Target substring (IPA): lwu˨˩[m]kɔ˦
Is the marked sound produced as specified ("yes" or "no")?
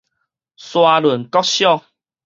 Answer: no